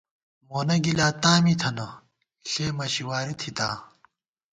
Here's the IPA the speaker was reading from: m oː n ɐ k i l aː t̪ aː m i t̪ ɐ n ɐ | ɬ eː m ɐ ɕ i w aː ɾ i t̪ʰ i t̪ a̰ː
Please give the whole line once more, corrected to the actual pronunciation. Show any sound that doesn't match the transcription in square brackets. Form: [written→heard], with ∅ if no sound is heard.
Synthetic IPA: m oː n ɐ [k→ɡ] i l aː t̪ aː m i [t̪→t̪ʰ] ɐ n ɐ | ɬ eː m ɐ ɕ i w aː ɾ i t̪ʰ i t̪ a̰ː